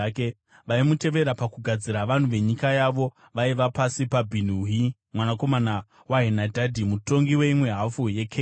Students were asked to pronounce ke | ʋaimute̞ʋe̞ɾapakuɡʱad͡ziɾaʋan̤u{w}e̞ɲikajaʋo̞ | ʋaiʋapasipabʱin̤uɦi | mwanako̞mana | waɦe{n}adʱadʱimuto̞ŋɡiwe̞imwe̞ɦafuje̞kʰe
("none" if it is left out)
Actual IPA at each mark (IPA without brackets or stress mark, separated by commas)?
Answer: ʋ, n